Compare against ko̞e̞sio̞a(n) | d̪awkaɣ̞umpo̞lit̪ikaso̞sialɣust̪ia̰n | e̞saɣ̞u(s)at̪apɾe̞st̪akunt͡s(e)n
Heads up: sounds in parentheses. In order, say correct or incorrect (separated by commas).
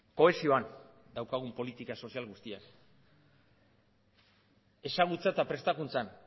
correct, incorrect, incorrect